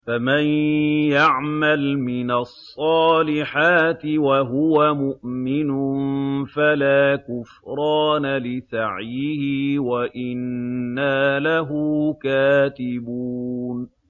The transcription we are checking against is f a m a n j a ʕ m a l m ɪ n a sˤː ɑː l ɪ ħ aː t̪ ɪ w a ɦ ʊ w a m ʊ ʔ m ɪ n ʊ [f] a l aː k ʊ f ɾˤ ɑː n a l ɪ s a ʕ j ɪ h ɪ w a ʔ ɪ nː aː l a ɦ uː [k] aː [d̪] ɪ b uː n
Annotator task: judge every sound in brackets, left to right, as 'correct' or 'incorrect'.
correct, correct, incorrect: t̪

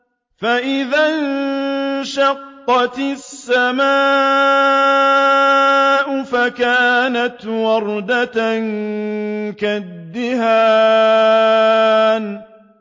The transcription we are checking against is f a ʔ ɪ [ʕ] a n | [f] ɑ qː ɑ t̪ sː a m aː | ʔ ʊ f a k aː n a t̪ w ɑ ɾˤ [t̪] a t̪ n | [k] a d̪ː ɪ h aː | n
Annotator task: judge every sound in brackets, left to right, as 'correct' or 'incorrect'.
incorrect: ð, incorrect: ʃ, incorrect: d̪, correct

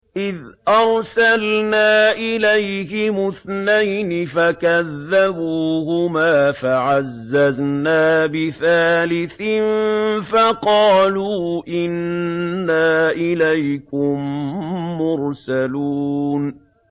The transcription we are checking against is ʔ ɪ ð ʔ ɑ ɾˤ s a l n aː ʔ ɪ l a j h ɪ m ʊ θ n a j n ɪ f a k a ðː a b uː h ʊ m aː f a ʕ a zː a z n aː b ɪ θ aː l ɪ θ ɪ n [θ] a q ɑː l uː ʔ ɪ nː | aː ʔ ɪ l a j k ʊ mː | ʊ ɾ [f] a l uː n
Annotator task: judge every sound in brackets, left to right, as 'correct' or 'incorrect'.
incorrect: f, incorrect: s

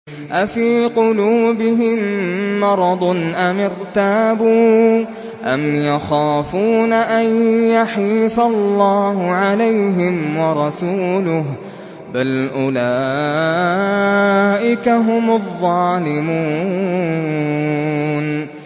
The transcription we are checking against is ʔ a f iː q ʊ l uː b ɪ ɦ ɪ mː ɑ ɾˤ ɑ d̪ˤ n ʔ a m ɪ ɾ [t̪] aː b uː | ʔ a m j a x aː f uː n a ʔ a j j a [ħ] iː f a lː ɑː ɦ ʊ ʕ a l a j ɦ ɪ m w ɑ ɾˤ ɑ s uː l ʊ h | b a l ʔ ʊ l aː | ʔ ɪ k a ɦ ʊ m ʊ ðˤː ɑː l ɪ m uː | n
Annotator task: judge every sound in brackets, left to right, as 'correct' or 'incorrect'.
correct, correct

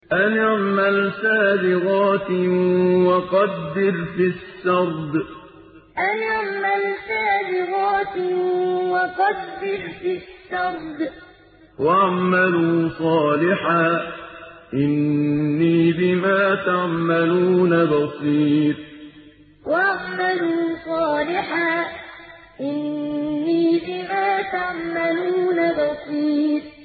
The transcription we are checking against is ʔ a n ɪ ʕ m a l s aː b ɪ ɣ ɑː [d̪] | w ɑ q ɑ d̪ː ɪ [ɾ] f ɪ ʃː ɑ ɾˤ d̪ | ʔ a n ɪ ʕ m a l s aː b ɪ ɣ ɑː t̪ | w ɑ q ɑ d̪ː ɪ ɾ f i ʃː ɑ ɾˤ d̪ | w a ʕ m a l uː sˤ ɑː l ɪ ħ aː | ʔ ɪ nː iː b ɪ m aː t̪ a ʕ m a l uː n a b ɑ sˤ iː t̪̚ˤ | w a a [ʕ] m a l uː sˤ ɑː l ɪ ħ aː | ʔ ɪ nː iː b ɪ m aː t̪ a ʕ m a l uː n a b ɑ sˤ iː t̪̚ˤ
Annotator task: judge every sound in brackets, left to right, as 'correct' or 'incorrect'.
incorrect: t̪, correct, correct

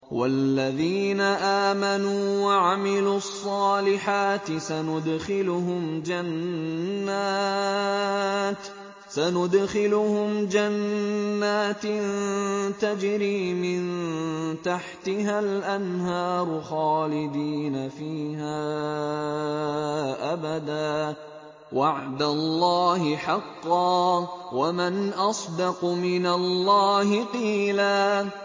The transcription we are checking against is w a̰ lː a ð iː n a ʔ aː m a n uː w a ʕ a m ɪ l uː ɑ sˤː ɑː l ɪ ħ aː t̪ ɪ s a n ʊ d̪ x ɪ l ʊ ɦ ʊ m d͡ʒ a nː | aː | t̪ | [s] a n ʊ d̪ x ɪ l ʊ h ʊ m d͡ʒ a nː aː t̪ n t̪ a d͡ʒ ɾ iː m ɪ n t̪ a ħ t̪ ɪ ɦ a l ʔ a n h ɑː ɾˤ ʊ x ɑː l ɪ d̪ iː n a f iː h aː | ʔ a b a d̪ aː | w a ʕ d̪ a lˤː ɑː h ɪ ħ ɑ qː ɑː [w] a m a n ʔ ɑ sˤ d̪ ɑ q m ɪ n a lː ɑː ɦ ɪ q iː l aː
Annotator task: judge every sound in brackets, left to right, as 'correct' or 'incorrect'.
correct, correct

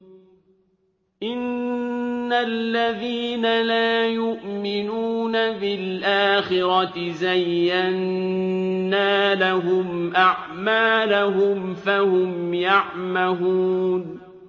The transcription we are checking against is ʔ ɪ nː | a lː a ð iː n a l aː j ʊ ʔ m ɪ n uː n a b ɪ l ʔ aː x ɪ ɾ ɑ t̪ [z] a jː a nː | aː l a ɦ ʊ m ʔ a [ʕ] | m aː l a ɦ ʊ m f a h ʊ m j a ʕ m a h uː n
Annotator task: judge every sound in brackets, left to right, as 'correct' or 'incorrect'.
correct, correct

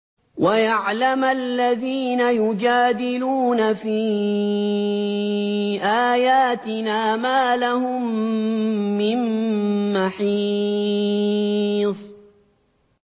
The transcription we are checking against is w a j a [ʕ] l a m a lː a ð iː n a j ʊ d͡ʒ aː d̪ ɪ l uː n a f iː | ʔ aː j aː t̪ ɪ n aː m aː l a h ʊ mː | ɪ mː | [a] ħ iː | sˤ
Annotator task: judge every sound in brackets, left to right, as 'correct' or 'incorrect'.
correct, correct

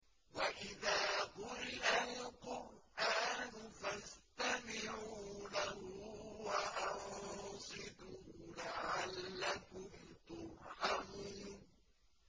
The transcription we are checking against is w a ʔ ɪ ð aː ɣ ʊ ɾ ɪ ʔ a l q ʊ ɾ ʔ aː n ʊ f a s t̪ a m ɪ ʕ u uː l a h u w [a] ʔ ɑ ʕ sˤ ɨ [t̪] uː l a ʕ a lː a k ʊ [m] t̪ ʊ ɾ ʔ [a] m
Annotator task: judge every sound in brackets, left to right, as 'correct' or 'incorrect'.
correct, incorrect: d̪, correct, correct

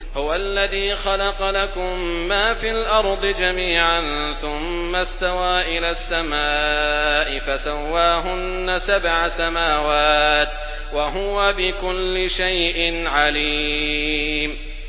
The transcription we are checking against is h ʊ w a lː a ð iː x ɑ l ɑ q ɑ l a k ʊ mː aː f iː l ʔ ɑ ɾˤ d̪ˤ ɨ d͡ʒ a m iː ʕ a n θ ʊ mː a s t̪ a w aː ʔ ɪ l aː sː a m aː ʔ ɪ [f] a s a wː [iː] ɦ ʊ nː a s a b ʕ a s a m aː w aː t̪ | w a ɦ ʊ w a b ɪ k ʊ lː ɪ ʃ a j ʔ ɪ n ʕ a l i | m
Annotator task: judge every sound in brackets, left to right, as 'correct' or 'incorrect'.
correct, incorrect: aː

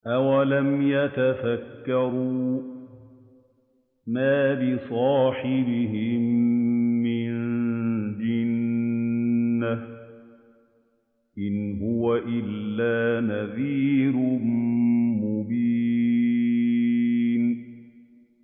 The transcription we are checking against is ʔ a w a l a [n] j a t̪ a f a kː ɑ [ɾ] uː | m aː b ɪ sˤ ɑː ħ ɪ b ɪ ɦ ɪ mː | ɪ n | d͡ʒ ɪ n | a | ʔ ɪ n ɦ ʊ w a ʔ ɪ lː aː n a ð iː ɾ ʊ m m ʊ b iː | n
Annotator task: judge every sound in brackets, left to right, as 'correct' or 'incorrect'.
incorrect: m, correct

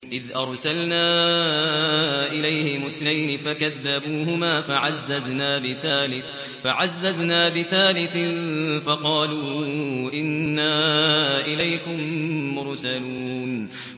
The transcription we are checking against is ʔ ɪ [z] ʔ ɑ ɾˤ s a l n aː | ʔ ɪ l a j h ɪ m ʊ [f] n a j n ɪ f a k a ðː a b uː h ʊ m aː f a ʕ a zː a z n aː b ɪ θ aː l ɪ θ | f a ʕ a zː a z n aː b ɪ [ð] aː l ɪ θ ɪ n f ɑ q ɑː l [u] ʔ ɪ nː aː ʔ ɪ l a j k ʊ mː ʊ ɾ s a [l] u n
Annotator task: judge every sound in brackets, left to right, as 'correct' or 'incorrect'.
incorrect: ð, incorrect: θ, incorrect: θ, incorrect: uː, correct

